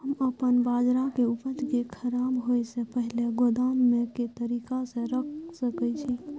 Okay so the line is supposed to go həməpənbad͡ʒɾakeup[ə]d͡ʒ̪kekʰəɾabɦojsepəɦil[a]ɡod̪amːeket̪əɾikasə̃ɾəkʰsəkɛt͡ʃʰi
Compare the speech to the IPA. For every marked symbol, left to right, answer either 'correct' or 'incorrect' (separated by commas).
correct, incorrect